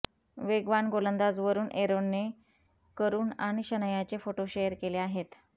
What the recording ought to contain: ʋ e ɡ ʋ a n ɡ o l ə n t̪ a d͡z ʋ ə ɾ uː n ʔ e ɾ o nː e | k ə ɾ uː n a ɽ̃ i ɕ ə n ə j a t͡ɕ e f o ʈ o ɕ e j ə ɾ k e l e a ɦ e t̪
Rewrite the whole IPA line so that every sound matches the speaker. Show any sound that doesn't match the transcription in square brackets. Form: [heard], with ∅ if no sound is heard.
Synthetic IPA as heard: ʋ e ɡ ʋ a n ɡ o l ə n [d̪] a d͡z ʋ ə ɾ uː n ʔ e ɾ o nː e | k ə ɾ uː n a ɽ̃ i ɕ ə n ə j a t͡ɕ e f o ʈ o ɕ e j ə ɾ k e l e a ɦ e t̪